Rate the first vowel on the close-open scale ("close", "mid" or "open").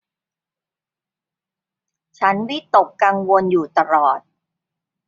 open